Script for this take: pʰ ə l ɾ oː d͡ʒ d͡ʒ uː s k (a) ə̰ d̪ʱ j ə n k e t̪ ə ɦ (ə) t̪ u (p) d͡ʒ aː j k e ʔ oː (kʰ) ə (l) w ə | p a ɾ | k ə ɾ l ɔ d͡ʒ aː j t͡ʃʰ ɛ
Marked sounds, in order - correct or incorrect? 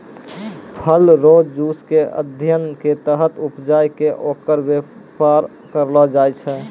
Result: incorrect, correct, correct, incorrect, incorrect

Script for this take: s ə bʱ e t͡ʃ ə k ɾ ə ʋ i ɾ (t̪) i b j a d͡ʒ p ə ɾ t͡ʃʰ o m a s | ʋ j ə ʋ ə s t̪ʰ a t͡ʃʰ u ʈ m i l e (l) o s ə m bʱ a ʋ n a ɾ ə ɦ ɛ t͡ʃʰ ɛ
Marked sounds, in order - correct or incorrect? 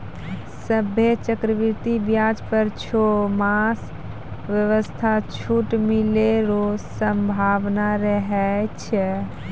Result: correct, incorrect

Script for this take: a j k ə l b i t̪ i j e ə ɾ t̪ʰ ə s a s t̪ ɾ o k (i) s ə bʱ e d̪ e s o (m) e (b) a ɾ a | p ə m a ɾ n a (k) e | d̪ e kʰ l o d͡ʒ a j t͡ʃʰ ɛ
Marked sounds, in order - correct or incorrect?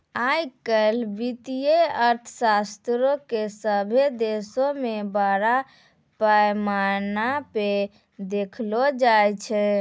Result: incorrect, correct, correct, incorrect

